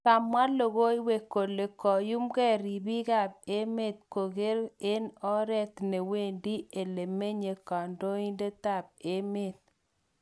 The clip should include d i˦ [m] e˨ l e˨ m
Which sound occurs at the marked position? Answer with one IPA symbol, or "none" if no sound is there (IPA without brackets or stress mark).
none